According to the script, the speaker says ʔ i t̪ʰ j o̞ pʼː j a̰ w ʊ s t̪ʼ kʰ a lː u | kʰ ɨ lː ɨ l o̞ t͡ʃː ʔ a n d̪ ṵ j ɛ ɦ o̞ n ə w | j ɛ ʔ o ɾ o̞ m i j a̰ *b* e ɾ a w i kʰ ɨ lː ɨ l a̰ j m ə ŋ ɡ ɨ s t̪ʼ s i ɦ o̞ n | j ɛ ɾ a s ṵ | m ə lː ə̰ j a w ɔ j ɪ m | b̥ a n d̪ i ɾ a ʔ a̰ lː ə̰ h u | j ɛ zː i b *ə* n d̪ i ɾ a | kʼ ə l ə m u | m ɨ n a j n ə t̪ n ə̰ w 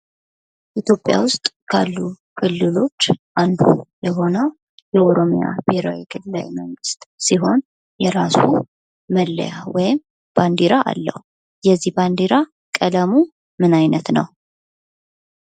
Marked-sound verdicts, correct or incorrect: correct, incorrect: a

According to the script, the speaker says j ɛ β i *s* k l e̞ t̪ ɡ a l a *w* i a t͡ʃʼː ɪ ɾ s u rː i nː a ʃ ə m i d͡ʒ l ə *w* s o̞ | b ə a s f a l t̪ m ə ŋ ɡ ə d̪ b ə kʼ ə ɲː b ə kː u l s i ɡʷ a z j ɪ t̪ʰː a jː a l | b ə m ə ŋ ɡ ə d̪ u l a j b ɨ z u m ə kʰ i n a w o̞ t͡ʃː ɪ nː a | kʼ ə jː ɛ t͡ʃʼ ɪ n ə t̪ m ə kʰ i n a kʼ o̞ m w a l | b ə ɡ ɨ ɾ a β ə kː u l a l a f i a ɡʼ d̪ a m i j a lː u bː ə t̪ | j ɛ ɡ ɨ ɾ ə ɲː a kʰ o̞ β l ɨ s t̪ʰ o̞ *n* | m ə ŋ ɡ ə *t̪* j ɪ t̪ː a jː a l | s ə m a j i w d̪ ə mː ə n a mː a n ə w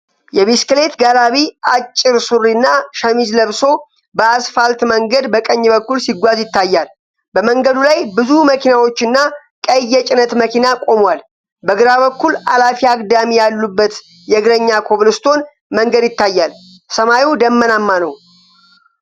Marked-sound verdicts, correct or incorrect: correct, incorrect: β, incorrect: β, correct, incorrect: d̪

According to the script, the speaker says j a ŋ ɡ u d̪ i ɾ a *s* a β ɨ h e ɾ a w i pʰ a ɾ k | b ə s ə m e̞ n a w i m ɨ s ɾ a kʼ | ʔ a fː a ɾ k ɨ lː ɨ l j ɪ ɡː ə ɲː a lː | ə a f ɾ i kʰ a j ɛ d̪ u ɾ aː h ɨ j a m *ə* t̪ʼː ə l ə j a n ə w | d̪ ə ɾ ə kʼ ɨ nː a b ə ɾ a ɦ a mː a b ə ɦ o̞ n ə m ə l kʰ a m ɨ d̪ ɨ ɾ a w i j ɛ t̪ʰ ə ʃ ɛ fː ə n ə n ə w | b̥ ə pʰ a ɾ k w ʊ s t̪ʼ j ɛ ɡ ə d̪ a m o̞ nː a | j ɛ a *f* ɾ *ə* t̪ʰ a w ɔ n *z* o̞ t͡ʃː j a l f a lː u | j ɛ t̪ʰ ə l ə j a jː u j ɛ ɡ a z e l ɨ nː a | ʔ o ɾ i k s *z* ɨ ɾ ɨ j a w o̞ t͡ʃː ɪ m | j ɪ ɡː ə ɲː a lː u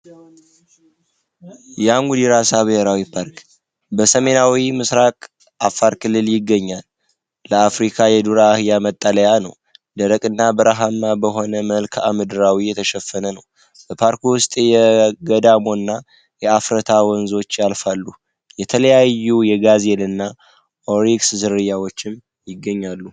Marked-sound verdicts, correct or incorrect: correct, correct, correct, correct, correct, correct

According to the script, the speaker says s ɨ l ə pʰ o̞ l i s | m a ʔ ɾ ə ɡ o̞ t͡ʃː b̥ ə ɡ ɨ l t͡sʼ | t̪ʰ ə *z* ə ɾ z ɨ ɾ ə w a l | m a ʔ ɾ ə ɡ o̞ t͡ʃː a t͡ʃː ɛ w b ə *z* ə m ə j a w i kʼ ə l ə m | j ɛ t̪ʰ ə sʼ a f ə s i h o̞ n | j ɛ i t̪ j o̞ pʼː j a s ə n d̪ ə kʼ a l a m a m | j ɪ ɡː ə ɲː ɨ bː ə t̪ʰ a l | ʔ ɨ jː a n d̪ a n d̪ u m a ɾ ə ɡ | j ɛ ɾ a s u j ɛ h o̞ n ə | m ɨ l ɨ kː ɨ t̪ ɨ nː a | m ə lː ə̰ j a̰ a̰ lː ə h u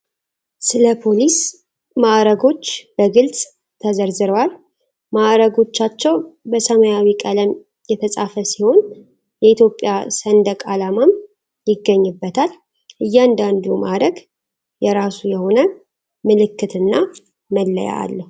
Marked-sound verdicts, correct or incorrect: correct, incorrect: s

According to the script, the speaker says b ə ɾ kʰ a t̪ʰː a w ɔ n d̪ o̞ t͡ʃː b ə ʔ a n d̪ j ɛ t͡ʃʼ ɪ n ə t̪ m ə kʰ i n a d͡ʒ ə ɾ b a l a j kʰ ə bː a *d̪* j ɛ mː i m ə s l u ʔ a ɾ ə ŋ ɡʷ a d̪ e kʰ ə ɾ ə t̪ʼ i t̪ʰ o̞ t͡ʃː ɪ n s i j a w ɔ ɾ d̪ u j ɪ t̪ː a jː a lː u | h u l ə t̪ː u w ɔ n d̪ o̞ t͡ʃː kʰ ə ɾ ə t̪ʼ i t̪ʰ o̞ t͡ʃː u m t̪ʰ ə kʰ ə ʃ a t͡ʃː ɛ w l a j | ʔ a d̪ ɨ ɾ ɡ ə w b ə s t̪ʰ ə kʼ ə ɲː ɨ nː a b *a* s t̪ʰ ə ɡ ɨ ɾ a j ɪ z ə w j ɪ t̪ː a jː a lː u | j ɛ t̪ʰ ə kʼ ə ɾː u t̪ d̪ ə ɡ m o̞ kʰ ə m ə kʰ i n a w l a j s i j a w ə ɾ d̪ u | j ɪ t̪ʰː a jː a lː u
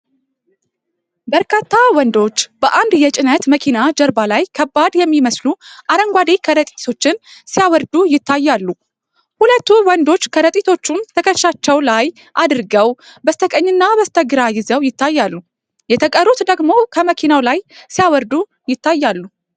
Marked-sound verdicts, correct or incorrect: correct, incorrect: ə

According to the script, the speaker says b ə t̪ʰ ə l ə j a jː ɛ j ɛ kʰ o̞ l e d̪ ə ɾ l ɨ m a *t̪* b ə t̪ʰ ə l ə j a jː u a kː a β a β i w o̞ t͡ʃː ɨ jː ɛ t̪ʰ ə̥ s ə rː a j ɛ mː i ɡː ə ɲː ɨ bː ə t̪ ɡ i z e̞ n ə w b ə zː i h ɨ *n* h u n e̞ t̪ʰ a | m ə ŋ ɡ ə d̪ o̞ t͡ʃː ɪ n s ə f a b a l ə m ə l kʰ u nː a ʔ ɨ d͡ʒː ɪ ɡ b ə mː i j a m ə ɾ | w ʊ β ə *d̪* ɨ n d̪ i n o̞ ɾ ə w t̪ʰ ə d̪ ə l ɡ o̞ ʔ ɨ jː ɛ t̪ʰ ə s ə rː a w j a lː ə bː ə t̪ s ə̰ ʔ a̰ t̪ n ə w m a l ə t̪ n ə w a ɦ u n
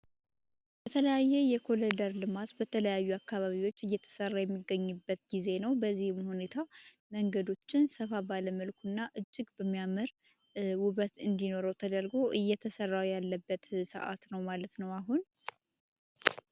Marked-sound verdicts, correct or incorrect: correct, incorrect: m, incorrect: t̪

